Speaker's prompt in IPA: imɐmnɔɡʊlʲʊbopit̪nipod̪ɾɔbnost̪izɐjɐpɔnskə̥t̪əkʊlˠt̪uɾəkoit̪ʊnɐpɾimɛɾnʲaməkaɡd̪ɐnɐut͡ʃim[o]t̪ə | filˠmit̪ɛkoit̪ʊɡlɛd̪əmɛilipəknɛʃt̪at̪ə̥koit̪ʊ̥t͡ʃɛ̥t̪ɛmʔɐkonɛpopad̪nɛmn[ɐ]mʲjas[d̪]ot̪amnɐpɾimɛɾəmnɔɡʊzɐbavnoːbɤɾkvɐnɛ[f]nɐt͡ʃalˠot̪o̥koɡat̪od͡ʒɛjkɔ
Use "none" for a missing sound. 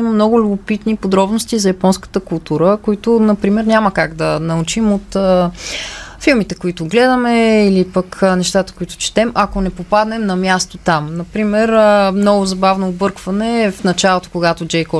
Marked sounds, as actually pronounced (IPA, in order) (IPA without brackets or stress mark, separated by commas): o, ɐ, t̪, f